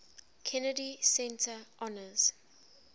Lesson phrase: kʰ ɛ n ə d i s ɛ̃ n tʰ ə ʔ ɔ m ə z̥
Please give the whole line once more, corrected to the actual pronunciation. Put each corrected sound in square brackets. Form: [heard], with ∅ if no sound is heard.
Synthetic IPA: kʰ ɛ n ə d i s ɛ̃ n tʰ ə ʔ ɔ [n] ə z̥